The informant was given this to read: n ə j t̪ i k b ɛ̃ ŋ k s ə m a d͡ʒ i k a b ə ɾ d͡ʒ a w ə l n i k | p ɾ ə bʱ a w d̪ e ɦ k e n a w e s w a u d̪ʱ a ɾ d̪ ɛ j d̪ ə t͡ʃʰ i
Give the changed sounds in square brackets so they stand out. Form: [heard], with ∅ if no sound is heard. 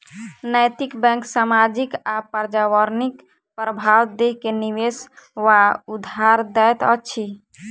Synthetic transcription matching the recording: n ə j t̪ i k b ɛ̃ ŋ k s [a] m a d͡ʒ i k a [p] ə ɾ d͡ʒ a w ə [ɾ] n i k | p ɾ ə bʱ a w d̪ e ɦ k e n [i] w e s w a u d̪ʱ a ɾ d̪ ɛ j [t̪] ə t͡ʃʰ i